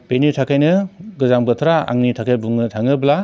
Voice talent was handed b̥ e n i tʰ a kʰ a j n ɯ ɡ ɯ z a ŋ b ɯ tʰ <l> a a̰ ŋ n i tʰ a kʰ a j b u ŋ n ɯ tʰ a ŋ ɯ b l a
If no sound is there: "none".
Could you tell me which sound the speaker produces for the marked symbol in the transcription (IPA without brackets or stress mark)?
ɾ